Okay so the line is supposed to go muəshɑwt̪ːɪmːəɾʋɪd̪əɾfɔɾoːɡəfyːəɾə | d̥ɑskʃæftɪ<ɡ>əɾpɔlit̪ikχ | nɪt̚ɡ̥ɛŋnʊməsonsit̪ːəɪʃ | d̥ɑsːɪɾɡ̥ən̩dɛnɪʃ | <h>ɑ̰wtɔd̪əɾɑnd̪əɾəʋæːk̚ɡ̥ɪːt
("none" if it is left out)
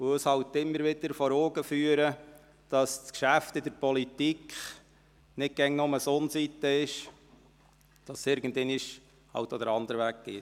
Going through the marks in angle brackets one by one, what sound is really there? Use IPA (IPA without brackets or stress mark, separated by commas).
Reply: d, h